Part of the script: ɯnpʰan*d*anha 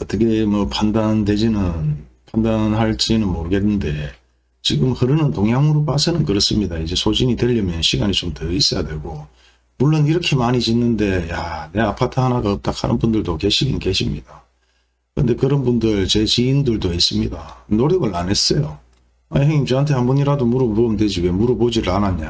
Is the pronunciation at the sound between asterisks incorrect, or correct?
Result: correct